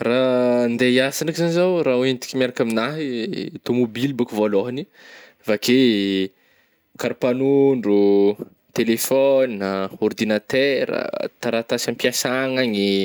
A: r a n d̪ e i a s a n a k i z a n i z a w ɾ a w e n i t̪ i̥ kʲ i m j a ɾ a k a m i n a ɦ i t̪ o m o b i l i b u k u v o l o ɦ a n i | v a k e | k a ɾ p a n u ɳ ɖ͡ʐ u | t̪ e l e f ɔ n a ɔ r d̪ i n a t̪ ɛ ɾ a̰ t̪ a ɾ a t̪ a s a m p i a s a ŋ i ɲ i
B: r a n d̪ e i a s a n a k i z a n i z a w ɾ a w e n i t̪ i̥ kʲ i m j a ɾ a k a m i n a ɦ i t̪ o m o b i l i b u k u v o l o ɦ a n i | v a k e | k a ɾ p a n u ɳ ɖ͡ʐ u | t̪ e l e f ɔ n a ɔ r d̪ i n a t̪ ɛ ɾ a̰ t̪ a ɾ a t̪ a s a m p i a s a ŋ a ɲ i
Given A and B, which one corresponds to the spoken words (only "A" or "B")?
B